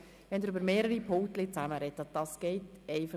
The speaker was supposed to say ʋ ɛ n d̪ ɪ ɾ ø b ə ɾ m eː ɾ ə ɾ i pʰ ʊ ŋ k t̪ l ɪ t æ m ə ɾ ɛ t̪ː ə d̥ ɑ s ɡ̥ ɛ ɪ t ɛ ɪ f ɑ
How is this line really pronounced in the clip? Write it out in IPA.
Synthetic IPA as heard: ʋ ɛ n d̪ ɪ ɾ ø b ə ɾ m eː ɾ ə ɾ i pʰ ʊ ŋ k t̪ l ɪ t͡s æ m ə ɾ ɛ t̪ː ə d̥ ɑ s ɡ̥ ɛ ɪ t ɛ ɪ f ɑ